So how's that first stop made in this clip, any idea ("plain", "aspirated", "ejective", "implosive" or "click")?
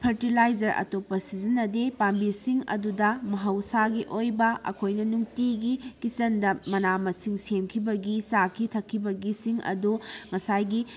aspirated